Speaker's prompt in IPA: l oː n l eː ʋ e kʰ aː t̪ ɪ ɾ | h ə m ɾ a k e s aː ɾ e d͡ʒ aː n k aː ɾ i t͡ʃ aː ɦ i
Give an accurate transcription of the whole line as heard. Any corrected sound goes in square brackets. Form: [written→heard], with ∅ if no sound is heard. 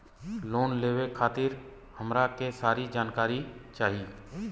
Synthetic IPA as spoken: l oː n l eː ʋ e kʰ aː t̪ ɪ ɾ | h ə m ɾ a k e s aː ɾ [e→i] d͡ʒ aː n k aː ɾ i t͡ʃ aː ɦ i